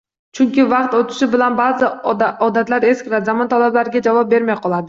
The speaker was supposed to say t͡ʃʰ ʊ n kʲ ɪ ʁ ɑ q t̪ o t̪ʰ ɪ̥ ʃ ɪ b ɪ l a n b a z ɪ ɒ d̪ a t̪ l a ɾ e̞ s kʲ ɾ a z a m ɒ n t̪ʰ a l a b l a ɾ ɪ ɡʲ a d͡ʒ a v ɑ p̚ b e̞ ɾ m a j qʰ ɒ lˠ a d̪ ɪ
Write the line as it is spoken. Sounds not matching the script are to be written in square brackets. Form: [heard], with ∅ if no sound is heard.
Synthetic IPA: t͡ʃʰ ʊ [ŋ] kʲ ɪ [v] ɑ q t̪ o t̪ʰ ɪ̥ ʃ ɪ b ɪ l a n b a z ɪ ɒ d̪ a t̪ l a ɾ e̞ s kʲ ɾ a z a m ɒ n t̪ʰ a l a b l a ɾ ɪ ɡʲ a d͡ʒ a v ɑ p̚ b e̞ ɾ m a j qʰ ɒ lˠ a d̪ ɪ